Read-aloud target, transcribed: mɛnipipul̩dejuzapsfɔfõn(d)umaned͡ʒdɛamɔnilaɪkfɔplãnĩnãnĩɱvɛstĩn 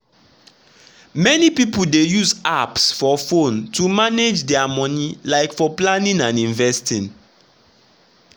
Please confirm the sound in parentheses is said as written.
no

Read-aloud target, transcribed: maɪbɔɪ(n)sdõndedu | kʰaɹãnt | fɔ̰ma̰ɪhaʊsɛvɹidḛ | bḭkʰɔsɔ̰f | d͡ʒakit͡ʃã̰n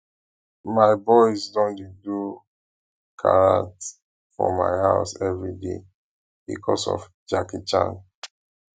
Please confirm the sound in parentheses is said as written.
no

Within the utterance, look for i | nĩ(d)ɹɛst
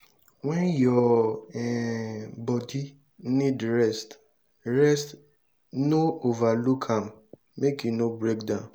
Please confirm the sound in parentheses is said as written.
yes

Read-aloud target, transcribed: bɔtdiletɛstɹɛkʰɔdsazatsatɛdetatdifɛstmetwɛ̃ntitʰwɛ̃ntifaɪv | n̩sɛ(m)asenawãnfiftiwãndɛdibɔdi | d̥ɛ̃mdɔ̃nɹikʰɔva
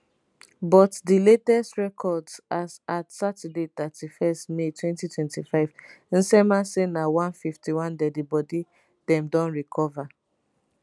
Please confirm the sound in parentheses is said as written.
yes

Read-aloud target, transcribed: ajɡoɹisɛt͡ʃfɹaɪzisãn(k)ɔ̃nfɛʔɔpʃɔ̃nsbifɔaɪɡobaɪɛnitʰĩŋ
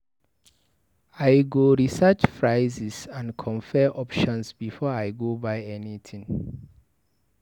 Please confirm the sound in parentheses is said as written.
no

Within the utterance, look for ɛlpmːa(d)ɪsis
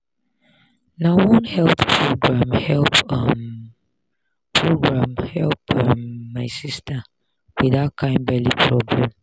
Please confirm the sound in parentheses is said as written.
no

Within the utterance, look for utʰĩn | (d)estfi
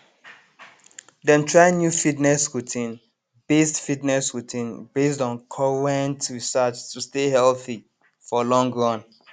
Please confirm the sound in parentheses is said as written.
no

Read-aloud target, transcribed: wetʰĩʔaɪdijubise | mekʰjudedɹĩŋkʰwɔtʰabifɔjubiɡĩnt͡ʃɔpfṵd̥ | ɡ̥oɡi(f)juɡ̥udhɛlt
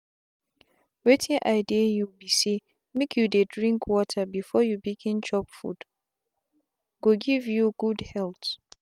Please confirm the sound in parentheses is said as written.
no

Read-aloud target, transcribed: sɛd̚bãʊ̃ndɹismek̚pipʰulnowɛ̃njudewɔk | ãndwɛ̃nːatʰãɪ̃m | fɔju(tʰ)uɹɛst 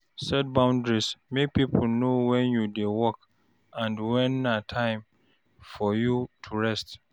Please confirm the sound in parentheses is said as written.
yes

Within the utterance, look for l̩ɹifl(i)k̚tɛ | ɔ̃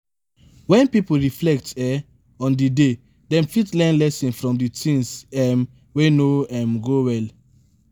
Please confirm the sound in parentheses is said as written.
no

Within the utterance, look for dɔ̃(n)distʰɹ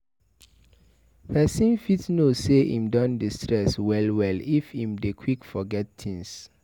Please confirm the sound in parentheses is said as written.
yes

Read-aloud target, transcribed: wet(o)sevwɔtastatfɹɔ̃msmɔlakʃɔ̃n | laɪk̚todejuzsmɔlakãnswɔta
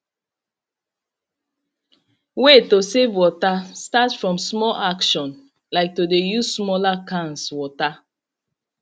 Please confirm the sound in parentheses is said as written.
yes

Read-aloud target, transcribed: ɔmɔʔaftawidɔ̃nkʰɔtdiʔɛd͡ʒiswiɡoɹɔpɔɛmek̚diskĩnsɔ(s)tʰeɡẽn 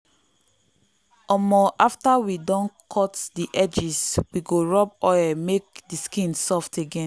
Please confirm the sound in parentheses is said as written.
no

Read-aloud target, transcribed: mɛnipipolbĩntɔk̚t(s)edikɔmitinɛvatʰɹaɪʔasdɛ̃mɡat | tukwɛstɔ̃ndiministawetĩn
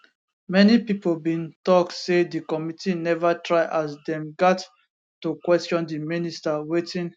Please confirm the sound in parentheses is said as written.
yes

